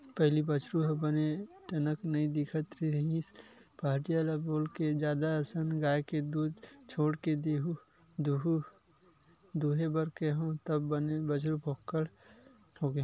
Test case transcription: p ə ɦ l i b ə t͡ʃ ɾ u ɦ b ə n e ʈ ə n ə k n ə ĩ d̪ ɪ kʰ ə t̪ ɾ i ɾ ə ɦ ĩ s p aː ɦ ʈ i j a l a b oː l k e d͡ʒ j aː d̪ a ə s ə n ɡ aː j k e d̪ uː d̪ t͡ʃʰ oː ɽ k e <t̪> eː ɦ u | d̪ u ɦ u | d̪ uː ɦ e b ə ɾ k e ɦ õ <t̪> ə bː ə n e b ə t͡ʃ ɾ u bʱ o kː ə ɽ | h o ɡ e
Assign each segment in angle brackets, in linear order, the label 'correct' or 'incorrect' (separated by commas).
incorrect, correct